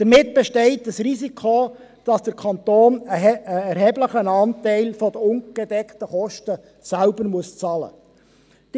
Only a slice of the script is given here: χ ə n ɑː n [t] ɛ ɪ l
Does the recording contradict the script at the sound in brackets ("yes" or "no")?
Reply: no